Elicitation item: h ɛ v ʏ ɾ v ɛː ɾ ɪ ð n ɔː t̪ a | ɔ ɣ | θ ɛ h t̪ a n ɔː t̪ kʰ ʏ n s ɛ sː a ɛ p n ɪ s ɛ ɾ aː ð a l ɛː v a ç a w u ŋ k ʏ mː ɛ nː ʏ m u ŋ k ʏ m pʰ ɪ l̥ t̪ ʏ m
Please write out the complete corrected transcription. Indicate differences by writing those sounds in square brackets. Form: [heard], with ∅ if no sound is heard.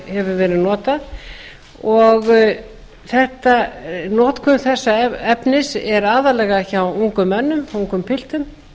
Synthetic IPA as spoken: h ɛ v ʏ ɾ v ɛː ɾ ɪ ð n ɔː t̪ a | ɔ ɣ | θ ɛ h t̪ a n ɔː t̪ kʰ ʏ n [θ] ɛ sː a ɛ p n ɪ s ɛ ɾ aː ð a l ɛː [ɣ] a ç a w u ŋ k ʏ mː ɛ nː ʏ m u ŋ k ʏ m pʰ ɪ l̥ t̪ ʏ m